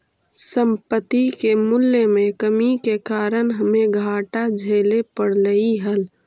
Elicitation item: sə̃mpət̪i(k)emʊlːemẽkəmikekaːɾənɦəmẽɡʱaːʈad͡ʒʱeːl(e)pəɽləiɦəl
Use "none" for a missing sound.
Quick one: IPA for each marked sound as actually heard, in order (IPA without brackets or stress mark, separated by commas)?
k, e